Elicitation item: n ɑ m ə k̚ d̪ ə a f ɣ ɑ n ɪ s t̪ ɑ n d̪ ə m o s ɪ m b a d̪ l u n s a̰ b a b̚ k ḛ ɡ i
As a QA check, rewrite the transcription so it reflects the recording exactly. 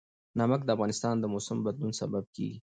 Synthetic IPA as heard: n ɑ m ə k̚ d̪ ə a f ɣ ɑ n ɪ s t̪ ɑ n d̪ ə m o s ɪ m b a d̪ l u n s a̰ b a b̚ k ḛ ɡ i